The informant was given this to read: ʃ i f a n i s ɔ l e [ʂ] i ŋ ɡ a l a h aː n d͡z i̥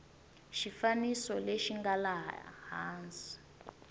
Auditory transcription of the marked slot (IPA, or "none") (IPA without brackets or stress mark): ʃ